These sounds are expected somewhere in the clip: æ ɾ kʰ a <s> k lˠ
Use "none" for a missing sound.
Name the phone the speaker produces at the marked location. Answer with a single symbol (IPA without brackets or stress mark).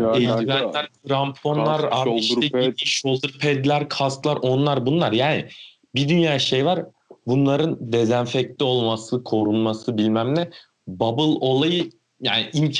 s